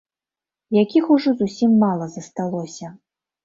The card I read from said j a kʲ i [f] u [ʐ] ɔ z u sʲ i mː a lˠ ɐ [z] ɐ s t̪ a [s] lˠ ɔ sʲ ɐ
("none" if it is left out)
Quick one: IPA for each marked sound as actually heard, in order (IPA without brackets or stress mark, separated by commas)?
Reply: x, ʐ, z, none